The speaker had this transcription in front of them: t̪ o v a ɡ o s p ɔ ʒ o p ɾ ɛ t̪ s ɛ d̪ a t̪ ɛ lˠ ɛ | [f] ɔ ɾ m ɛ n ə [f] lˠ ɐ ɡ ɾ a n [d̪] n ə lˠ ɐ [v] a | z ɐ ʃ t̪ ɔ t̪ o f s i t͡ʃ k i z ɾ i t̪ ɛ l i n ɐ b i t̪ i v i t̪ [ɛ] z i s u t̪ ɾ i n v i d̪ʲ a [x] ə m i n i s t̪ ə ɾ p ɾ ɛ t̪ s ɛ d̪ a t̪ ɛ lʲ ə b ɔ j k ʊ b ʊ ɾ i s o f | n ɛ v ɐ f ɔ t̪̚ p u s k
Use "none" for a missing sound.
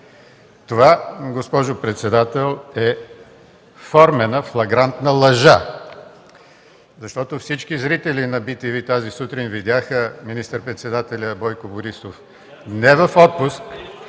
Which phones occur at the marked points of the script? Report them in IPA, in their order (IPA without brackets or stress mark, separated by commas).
f, f, t̪, ʒ, a, x